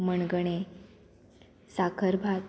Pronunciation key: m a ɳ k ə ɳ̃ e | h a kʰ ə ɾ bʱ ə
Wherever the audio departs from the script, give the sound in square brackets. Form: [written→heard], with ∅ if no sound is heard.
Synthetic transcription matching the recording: m [a→ə] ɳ [k→ɡ] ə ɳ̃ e | [h→s] a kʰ ə ɾ bʱ [ə→a]